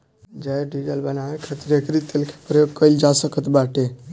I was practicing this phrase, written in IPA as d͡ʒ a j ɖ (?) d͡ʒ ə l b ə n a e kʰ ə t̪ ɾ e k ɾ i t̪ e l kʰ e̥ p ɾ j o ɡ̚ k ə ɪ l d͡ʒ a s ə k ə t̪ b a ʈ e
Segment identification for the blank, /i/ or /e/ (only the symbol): i